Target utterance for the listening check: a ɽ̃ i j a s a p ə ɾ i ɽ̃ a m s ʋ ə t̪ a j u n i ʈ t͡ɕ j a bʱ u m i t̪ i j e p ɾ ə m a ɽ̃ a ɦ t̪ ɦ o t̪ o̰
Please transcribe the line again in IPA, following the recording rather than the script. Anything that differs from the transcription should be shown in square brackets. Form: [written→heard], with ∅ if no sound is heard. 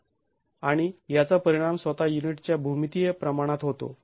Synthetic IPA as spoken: a ɽ̃ i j a [s→t͡s] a p ə ɾ i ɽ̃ a m s ʋ ə t̪ a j u n i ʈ t͡ɕ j a bʱ u m i t̪ i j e p ɾ ə m a ɽ̃ a [ɦ→∅] t̪ ɦ o t̪ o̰